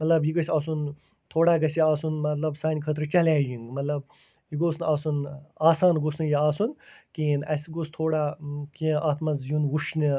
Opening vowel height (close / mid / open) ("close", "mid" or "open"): open